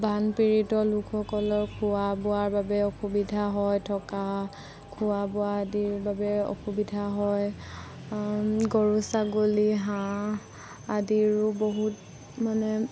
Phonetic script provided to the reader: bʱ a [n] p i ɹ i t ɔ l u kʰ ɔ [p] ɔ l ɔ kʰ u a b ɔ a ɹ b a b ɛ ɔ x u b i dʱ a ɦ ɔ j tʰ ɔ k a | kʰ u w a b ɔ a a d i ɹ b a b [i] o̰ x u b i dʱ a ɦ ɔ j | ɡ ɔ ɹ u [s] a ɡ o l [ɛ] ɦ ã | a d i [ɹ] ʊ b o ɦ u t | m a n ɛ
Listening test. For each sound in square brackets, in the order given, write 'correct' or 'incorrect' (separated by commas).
correct, incorrect, incorrect, correct, incorrect, correct